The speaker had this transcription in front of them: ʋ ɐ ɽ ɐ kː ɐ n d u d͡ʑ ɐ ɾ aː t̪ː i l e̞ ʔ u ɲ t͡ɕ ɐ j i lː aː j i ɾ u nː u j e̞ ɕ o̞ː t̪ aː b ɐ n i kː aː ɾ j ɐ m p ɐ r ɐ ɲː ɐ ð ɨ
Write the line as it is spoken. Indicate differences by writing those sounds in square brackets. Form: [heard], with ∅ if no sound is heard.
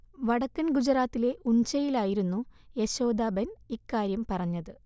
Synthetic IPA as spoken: ʋ ɐ ɽ ɐ kː ɐ n [ɡ] u d͡ʑ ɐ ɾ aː t̪ː i l e̞ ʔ u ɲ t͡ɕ ɐ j i [l] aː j i ɾ u nː u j e̞ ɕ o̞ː [d̪] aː b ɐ n i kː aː ɾ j ɐ m p ɐ r ɐ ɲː ɐ ð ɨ